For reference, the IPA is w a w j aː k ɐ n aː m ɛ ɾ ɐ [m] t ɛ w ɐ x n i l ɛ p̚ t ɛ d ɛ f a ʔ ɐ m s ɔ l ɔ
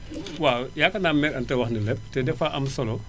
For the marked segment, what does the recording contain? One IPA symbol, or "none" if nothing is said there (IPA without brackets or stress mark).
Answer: n